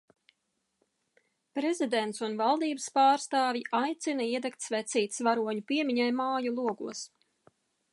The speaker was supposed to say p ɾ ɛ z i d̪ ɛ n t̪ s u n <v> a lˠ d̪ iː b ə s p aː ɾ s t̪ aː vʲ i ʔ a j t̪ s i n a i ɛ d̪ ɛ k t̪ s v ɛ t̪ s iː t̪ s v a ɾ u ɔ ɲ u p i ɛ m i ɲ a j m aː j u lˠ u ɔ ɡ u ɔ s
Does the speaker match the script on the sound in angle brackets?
yes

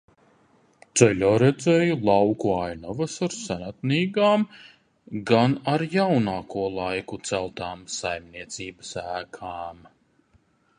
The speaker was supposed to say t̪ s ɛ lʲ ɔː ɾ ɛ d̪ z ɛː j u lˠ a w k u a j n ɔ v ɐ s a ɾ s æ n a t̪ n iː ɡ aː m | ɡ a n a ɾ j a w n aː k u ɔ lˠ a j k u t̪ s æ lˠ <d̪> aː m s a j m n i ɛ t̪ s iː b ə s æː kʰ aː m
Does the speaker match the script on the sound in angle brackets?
no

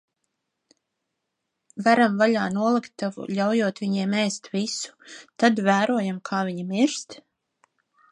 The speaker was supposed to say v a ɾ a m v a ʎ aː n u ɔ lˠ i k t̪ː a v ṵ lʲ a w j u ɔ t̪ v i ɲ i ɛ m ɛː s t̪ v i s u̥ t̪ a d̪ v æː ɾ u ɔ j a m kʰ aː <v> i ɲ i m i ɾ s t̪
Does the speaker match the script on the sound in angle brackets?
yes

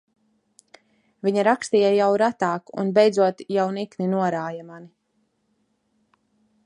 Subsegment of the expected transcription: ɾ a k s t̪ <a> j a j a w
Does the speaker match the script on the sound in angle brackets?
no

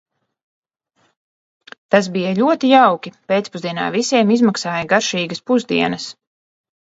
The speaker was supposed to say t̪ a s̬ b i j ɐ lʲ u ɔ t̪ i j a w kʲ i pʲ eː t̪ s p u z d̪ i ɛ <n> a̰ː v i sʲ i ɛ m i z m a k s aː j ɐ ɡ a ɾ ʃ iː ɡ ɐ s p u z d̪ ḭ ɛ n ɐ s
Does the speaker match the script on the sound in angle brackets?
yes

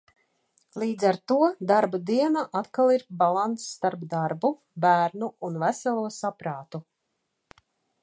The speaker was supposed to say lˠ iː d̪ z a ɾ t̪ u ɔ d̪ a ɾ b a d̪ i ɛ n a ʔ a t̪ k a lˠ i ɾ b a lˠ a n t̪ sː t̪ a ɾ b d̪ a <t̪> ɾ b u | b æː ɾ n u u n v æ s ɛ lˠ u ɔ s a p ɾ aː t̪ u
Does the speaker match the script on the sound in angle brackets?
no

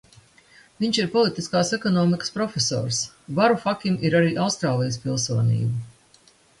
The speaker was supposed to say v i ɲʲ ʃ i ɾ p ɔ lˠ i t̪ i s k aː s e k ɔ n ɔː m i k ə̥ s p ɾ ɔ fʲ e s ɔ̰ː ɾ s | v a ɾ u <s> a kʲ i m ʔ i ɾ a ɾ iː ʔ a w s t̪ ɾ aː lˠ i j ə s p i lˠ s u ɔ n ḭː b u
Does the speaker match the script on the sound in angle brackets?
no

